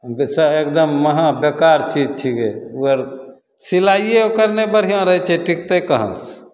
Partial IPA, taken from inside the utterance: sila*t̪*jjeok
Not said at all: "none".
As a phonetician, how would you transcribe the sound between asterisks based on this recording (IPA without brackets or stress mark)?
none